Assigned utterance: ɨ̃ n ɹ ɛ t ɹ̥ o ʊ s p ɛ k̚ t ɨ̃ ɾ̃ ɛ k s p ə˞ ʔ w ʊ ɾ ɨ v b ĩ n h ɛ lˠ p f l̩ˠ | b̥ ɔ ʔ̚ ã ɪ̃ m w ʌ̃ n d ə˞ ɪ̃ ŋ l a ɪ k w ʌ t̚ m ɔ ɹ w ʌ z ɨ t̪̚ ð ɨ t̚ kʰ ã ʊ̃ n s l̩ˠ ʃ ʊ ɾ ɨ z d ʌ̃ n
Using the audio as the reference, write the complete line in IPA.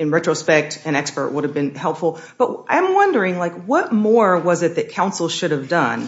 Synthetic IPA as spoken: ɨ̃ n ɹ ɛ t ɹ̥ o ʊ s p ɛ k̚ t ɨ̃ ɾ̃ ɛ k s p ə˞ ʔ w ʊ ɾ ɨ v b ɨ̃ n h ɛ lˠ p f l̩ˠ | b̥ ʌ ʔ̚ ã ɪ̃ m w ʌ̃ n d ə˞ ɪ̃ ŋ l a ɪ k w ʌ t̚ m ɔ ɹ w ʌ z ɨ t̪̚ ð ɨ t̚ kʰ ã ʊ̃ n s l̩ˠ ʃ ʊ ɾ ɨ v d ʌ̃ n